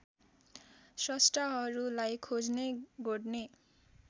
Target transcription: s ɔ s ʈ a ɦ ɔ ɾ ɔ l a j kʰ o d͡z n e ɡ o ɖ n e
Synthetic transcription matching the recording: s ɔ s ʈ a ɦ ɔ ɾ u l a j kʰ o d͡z n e ɡ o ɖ n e